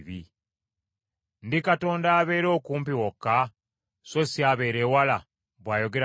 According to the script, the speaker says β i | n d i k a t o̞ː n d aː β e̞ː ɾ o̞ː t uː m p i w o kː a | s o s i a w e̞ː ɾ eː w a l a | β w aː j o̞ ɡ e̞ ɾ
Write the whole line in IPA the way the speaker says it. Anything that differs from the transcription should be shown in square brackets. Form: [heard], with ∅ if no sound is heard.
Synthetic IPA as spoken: β i | n d i k a t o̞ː n d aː β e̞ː ɾ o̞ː [k] uː m p i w o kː a | s o s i a [β] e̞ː ɾ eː w a l a | β w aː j o̞ ɡ e̞ ɾ